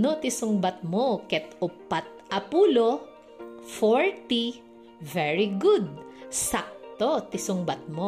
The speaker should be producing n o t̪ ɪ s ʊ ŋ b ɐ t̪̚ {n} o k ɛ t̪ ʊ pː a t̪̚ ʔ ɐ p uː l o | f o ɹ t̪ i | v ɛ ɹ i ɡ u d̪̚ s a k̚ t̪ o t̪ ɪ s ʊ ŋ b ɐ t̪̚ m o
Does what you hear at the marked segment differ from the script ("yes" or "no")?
yes